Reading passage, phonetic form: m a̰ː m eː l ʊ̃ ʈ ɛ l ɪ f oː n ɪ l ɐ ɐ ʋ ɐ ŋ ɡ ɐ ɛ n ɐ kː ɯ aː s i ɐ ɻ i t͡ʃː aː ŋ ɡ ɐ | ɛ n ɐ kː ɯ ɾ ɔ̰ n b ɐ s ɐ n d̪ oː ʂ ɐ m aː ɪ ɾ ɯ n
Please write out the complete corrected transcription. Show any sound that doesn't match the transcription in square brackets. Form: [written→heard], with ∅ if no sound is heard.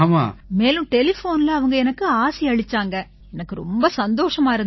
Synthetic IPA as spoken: m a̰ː m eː l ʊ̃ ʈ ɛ l ɪ f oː n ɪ l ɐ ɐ ʋ ɐ ŋ ɡ ɐ ɛ n ɐ kː ɯ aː s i ɐ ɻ [i→ɪ] t͡ʃː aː ŋ ɡ ɐ | ɛ n ɐ kː ɯ ɾ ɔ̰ [n→m] b ɐ s ɐ n d̪ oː ʂ ɐ m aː ɪ ɾ ɯ n